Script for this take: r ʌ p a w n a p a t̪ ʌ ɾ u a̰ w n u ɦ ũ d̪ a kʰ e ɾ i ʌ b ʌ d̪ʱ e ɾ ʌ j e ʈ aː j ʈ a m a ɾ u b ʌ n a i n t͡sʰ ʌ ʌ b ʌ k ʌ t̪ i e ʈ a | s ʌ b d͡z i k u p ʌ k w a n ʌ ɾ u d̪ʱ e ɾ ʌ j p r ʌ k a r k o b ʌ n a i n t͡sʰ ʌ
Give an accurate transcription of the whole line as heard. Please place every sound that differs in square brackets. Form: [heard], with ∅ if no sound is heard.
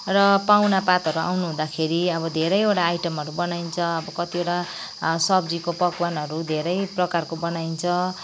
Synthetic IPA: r ʌ p a w n a p a t̪ ʌ ɾ u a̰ w n u ɦ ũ d̪ a kʰ e ɾ i ʌ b ʌ d̪ʱ e ɾ ʌ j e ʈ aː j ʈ [ʌ] m [ʌ] ɾ u b ʌ n a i n t͡sʰ ʌ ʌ b ʌ k ʌ t̪ i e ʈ a | s ʌ b d͡z i k [o] p ʌ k w a n ʌ ɾ u d̪ʱ e ɾ ʌ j p r ʌ k a r k o b ʌ n a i n t͡sʰ ʌ